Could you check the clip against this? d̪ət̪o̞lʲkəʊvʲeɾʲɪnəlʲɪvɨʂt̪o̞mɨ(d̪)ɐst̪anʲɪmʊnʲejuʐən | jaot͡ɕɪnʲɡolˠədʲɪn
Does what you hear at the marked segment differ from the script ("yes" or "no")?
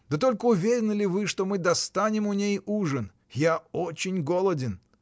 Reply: no